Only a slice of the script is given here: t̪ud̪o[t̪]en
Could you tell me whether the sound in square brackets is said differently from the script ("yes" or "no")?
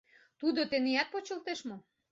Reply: no